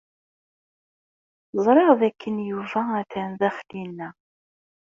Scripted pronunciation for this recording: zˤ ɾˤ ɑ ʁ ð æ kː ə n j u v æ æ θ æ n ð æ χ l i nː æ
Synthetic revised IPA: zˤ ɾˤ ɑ ʁ ð æ kː ə n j u v æ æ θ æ n ð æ χ l i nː æ

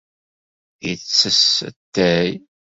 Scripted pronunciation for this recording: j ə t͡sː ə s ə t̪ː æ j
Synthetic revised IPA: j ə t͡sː ə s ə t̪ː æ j

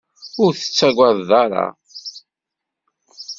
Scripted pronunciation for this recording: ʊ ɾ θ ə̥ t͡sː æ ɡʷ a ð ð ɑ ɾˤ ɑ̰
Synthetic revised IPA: ʊ ɾ θ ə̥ t͡sː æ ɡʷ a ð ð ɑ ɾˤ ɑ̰

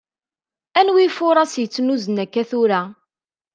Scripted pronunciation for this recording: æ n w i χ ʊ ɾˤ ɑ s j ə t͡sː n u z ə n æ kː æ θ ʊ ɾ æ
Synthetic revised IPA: æ n w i f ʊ ɾˤ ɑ s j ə t͡sː n u z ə n æ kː æ θ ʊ ɾ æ

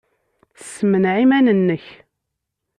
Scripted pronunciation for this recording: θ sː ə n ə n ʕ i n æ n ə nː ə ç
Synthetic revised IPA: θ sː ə m ə n ʕ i m æ n ə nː ə ç

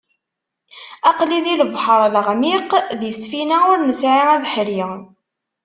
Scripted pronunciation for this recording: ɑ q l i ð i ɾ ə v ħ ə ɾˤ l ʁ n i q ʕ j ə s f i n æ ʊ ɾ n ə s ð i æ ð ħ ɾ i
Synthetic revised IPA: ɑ q l i ð i l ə v ħ ə ɾˤ l ʁ m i q ð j ə s f i n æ ʊ ɾ n ə s ʕ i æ ð ħ ɾ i

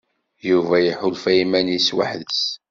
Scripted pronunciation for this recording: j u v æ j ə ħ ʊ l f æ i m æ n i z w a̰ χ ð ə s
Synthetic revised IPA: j u v æ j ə ħ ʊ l f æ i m æ n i s w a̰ ħ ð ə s

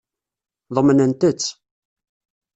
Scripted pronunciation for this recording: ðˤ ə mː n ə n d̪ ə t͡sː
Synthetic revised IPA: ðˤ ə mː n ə n t̪ ə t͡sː

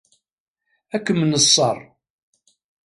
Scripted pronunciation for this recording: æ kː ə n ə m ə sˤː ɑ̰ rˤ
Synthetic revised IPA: æ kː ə m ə n ə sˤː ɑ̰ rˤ

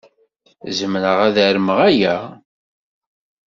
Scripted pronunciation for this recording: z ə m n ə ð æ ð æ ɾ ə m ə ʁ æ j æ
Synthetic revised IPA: z ə m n ə ʁ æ ð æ ɾ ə m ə ʁ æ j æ

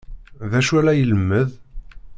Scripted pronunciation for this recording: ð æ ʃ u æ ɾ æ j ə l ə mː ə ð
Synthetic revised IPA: ð æ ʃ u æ l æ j ə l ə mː ə ð

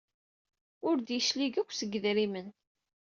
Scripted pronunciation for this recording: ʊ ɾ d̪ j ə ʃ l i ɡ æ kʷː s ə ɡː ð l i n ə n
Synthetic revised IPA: ʊ ɾ d̪ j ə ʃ l i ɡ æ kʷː s ə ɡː ð ɾ i m ə n

